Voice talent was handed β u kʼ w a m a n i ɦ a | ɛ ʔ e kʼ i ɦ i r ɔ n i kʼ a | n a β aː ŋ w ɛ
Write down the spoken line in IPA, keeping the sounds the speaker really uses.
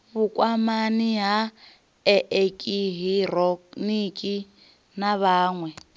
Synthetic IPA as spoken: β u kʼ w a m a n i ɦ a | ɛ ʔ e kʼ i ɦ i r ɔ n i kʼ i | n a β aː ŋ w ɛ